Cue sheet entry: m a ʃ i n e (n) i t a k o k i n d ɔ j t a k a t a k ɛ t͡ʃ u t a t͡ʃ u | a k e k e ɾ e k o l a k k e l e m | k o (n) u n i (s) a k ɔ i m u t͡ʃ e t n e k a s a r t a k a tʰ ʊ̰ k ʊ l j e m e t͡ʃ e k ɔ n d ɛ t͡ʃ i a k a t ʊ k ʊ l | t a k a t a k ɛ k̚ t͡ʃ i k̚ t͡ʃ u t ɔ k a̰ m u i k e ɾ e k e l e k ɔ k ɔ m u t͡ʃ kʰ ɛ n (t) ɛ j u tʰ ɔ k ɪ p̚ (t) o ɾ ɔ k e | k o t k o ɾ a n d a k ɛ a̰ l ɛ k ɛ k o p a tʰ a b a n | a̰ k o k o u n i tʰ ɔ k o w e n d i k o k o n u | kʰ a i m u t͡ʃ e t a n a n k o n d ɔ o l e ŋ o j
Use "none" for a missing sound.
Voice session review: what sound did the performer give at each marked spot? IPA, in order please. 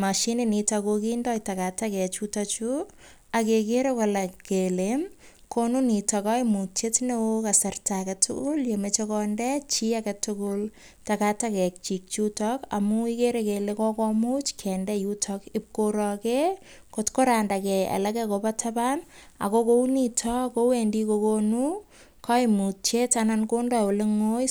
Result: n, n, t, d, k

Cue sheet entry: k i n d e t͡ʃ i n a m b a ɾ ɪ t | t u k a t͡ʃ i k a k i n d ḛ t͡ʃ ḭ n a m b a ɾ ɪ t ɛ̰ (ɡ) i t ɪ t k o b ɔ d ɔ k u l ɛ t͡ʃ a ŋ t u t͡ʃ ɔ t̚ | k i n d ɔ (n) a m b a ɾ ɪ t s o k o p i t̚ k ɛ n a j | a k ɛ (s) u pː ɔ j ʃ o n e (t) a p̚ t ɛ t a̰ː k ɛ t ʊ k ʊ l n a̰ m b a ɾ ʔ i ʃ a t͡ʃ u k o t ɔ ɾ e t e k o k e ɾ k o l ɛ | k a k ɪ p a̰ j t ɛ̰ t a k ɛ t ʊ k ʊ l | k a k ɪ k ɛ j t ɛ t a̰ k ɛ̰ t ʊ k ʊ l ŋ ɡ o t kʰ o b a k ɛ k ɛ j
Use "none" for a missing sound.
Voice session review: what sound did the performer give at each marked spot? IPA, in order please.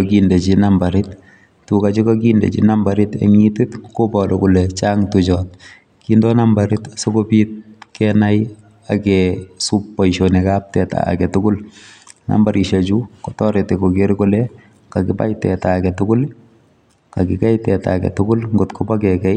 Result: ŋ, n, s, k

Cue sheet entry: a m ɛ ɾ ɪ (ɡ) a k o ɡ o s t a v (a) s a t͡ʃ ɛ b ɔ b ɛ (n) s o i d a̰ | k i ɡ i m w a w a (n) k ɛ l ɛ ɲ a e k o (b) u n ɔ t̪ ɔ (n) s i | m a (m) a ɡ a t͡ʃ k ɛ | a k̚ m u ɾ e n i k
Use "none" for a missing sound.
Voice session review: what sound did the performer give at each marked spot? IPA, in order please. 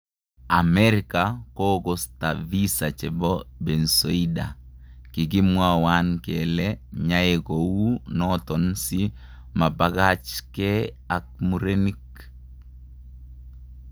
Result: k, i, n, n, w, n, b

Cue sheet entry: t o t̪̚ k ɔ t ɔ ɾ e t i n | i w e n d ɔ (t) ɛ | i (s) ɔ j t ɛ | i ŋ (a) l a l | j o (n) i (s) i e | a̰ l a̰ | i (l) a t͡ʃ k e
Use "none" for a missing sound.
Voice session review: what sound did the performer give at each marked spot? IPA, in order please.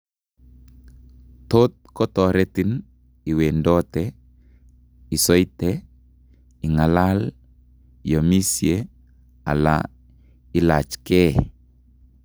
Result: t, s, a, m, s, l

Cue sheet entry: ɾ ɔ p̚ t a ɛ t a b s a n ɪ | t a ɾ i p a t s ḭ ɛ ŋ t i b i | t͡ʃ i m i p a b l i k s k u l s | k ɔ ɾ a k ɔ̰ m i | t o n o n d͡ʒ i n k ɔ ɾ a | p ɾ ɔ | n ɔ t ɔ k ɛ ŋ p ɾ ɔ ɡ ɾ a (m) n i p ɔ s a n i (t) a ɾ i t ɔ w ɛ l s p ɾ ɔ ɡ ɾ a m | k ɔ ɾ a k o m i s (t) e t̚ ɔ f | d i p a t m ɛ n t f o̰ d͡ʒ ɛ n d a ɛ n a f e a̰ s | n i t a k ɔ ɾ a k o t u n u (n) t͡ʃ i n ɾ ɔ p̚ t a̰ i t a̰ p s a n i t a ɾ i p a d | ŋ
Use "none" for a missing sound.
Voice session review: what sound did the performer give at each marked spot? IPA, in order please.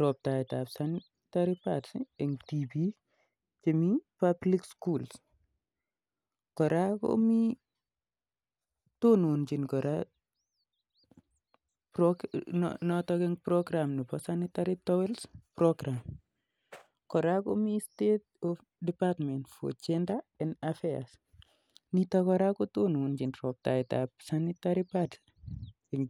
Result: m, t, t, n

